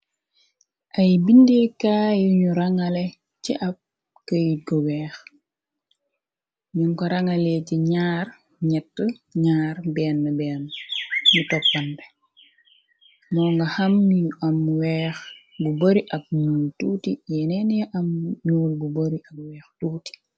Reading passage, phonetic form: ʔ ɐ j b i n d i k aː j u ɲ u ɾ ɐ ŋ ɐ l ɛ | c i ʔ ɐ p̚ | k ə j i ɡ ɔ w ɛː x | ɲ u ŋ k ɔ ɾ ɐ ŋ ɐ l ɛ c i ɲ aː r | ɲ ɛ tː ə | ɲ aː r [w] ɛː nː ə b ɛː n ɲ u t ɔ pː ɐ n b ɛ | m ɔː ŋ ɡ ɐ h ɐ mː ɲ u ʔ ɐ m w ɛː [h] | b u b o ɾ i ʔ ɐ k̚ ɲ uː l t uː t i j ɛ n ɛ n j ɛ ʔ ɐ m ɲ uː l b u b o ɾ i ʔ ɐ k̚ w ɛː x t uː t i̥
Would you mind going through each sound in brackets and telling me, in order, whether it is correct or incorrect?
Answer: incorrect: b, incorrect: x

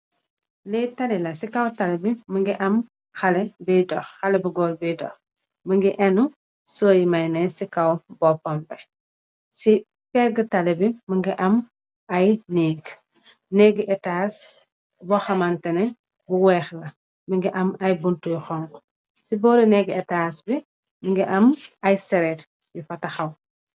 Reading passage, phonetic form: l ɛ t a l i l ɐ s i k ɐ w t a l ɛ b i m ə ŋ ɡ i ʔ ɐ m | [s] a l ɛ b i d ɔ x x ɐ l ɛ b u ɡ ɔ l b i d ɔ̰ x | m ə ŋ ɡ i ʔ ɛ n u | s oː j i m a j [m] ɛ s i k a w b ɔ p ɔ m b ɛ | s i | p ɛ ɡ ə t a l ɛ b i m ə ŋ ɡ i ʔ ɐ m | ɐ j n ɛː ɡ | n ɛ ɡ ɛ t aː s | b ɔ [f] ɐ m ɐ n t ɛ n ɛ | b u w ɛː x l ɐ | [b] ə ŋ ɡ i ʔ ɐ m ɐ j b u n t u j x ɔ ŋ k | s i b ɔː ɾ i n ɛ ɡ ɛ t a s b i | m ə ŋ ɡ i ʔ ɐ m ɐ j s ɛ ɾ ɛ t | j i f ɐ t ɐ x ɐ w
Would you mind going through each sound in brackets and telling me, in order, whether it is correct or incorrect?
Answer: incorrect: x, incorrect: n, incorrect: x, incorrect: m

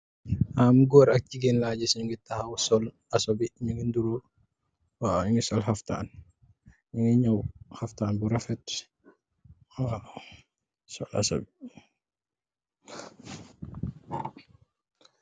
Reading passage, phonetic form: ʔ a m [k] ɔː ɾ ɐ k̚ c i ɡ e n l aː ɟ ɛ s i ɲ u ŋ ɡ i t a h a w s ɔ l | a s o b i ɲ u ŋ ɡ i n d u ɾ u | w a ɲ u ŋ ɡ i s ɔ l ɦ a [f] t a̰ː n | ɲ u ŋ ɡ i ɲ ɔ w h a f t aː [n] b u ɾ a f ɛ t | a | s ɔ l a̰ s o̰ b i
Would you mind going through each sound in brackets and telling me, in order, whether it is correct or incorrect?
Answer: incorrect: ɡ, correct, correct

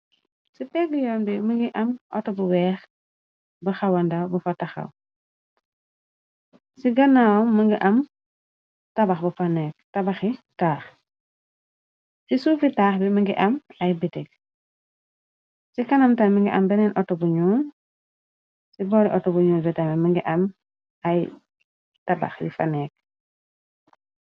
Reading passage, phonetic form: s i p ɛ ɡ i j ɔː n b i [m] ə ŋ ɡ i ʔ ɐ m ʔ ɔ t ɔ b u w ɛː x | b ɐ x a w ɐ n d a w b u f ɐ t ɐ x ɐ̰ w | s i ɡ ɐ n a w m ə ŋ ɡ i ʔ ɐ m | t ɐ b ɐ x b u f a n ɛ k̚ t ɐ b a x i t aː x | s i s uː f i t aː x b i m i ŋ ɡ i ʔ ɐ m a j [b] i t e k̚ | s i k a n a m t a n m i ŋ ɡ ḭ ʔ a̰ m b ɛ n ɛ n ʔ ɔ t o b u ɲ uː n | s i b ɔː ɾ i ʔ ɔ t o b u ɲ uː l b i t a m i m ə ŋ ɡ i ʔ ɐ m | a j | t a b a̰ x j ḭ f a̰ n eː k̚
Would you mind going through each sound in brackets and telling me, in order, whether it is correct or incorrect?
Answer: correct, correct

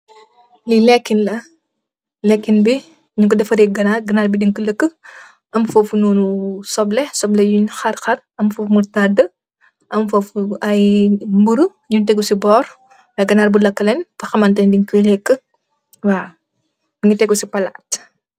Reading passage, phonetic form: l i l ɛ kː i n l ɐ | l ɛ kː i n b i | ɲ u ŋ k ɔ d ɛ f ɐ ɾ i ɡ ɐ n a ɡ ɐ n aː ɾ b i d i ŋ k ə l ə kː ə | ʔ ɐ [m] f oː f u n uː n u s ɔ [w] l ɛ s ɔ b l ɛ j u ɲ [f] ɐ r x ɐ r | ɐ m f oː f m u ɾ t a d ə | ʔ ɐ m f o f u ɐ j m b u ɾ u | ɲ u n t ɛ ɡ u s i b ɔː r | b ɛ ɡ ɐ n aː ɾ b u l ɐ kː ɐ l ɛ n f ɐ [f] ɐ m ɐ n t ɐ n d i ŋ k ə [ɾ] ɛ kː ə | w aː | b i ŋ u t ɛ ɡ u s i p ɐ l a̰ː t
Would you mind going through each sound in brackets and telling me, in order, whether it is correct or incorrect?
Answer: correct, incorrect: b, incorrect: x, incorrect: x, incorrect: l

